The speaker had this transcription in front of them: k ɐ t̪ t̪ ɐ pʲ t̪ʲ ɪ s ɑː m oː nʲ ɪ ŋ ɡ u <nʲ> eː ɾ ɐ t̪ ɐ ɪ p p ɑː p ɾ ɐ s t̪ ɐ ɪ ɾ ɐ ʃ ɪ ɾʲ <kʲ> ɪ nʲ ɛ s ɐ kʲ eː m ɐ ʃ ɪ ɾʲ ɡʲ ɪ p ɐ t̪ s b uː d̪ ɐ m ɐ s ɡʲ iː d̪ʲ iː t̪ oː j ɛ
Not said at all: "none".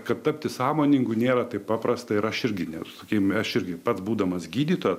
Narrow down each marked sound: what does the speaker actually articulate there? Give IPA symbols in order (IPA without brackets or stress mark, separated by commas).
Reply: nʲ, ɡʲ